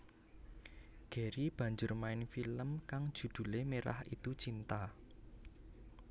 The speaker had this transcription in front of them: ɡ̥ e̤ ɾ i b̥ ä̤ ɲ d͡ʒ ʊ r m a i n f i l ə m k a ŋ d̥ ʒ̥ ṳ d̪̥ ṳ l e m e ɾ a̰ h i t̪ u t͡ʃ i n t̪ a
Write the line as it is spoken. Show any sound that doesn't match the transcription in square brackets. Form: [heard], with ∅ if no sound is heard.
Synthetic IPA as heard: ɡ̥ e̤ ɾ i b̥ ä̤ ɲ d͡ʒ ʊ r m a [ɪ] n f i l ə m k a ŋ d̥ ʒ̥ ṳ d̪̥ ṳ l e m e ɾ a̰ h i t̪ u t͡ʃ i n t̪ a